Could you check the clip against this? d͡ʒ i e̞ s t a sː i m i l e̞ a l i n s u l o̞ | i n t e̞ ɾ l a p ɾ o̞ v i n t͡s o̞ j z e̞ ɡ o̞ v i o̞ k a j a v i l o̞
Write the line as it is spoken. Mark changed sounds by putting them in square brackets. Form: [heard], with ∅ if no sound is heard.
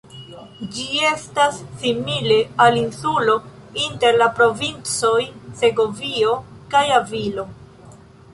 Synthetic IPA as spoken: d͡ʒ i e̞ s t a sː i m i l e̞ a l i n s u l o̞ | i n t e̞ ɾ l a p ɾ o̞ v i n t͡s o̞ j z e̞ ɡ o̞ v i o̞ k a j a v i l o̞